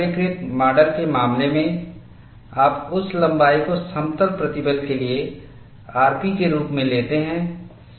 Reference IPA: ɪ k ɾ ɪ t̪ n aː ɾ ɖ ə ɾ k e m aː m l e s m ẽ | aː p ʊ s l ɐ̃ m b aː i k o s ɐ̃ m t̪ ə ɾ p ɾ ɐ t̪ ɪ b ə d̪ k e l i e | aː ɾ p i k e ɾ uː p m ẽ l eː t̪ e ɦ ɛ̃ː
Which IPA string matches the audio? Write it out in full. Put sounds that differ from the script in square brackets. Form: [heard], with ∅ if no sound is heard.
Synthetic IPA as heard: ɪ k ɾ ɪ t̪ [m] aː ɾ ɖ ə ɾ k e m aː m l e [∅] m ẽ | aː p ʊ s l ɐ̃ m b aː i k o s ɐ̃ m t̪ ə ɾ p ɾ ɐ t̪ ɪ b ə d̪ k e l i e | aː ɾ p i k e ɾ uː p m ẽ l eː t̪ e ɦ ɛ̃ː

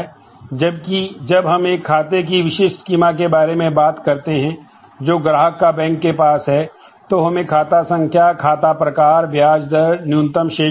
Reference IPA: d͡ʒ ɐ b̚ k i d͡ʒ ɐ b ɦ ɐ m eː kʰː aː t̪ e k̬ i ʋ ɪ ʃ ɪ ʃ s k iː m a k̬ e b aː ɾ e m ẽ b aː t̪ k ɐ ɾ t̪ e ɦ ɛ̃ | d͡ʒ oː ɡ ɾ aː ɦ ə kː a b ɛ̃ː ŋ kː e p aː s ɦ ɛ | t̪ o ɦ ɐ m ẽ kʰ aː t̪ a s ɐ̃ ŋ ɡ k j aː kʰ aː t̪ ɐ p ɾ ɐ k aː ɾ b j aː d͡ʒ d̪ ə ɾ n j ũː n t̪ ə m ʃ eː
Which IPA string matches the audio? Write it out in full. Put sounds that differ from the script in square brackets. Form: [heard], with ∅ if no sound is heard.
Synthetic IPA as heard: d͡ʒ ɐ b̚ k i d͡ʒ ɐ b ɦ ɐ m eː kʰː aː t̪ e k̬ i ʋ ɪ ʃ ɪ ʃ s k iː m a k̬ e b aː ɾ e m ẽ b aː t̪ k ɐ ɾ t̪ e ɦ ɛ̃ | d͡ʒ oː ɡ ɾ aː ɦ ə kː a b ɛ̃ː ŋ kː e p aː s ɦ ɛ | t̪ o ɦ ɐ m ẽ kʰ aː t̪ a s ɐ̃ ŋ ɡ k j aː kʰ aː t̪ [a] p ɾ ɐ k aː ɾ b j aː d͡ʒ d̪ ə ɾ n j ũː n t̪ ə m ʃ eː

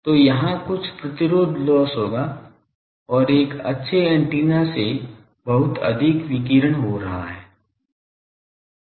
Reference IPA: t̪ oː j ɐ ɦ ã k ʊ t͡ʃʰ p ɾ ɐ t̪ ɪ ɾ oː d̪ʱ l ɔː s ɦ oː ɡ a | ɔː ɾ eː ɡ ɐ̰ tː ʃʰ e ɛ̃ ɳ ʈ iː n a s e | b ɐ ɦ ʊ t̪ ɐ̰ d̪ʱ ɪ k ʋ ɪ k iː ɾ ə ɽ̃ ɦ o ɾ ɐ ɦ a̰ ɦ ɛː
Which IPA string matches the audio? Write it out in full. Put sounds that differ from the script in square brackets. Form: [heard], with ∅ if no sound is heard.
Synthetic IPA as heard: t̪ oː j ɐ ɦ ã k ʊ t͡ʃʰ p ɾ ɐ t̪ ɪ ɾ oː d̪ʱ l ɔː s ɦ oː ɡ a | ɔː ɾ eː [k] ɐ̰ tː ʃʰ e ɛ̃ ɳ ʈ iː n a s e | b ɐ ɦ ʊ t̪ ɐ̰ d̪ʱ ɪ k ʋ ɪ k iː ɾ ə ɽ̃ ɦ o ɾ ɐ ɦ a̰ ɦ ɛː

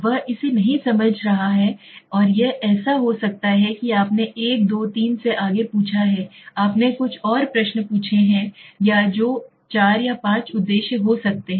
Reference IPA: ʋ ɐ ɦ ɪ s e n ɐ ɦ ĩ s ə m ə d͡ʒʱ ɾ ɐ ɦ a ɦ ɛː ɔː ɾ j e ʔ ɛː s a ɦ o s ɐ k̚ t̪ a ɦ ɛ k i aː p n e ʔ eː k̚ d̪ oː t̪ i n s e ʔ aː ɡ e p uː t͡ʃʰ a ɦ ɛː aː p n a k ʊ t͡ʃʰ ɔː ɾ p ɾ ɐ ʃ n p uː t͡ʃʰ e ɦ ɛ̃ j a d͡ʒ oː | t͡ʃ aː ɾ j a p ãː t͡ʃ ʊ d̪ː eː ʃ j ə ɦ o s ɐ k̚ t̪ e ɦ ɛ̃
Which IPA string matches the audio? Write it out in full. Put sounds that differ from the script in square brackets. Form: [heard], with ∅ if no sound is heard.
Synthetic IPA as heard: ʋ ɐ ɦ ɪ s e n ɐ ɦ ĩ s [ɐ] m ə d͡ʒʱ ɾ ɐ ɦ a ɦ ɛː ɔː ɾ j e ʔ ɛː s a ɦ o s ɐ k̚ t̪ a ɦ ɛ k i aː p n e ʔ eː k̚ d̪ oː t̪ [iː] n s e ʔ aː ɡ e p uː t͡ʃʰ a ɦ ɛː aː p n [e] k ʊ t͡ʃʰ ɔː ɾ p ɾ ɐ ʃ n p uː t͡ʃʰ e ɦ ɛ̃ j a d͡ʒ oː | t͡ʃ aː ɾ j a p ãː t͡ʃ ʊ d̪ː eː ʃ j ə ɦ o s ɐ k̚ t̪ e ɦ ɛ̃

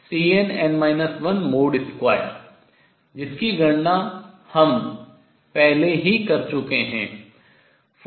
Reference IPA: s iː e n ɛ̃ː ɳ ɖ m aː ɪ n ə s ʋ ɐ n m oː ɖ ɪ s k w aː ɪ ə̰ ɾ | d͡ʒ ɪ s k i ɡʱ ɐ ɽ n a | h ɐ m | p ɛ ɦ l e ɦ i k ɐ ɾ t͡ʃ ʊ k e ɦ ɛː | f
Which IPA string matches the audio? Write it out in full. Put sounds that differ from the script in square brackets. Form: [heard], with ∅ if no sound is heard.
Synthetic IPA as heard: s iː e n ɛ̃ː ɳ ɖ m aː ɪ n ə s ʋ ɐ n m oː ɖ ɪ s k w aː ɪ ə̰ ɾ | d͡ʒ ɪ s k i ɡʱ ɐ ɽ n a | h ɐ m | p ɛ ɦ l e ɦ i k ɐ ɾ t͡ʃ ʊ k e ɦ [ɛ̃ː] | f

